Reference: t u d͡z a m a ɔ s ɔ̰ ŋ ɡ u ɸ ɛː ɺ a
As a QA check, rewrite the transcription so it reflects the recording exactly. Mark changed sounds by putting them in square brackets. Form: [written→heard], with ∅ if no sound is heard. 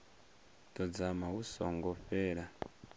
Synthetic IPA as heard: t [u→ɔ] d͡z a m a [ɔ→u] s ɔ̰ ŋ ɡ [u→ɔ] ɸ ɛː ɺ a